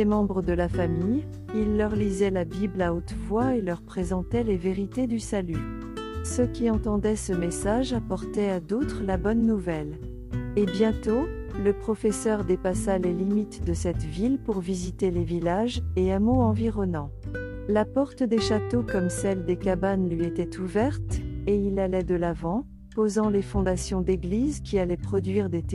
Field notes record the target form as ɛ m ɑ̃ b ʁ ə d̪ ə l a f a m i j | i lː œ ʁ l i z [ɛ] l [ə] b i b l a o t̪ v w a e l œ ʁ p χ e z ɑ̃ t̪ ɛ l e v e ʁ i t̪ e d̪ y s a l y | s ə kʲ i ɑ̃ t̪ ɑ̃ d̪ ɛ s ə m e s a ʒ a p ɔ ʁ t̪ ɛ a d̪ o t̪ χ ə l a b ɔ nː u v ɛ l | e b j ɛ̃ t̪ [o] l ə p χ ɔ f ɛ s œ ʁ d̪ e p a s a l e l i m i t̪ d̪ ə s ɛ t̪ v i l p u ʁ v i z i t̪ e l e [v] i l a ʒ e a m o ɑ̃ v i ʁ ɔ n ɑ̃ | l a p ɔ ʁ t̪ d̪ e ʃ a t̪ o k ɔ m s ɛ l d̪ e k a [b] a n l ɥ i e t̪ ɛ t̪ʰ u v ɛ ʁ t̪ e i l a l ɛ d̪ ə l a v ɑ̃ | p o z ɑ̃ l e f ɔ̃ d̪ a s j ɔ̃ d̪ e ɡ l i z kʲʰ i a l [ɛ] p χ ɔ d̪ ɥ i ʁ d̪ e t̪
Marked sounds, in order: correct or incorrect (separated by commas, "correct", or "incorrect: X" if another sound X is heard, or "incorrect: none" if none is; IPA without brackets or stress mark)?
correct, incorrect: a, correct, correct, correct, correct